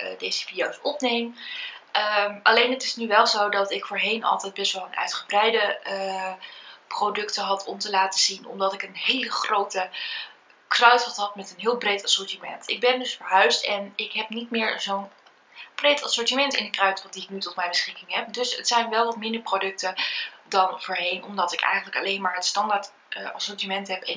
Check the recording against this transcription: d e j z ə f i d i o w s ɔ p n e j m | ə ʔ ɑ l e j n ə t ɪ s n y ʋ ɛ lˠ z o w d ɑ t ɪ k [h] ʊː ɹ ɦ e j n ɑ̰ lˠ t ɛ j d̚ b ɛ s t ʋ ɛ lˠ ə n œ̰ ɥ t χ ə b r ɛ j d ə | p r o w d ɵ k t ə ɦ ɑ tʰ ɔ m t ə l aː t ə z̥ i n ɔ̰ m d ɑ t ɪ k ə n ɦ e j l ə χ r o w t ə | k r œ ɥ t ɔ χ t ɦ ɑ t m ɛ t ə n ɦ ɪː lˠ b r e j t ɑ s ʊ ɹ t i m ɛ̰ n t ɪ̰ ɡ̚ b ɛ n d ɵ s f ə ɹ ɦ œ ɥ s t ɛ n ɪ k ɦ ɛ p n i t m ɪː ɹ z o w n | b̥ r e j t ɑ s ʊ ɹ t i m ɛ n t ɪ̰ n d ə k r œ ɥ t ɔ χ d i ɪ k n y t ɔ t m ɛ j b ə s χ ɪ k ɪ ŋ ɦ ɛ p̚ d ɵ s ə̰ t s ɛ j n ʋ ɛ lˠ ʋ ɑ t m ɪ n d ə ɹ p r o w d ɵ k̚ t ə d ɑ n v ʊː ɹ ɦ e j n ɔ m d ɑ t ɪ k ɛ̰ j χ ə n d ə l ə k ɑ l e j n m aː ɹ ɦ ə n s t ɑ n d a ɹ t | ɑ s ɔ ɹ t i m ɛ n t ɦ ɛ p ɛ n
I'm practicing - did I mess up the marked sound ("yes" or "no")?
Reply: yes